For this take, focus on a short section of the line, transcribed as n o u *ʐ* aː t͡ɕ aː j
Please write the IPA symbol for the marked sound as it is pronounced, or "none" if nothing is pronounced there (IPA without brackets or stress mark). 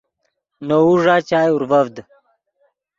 ʐ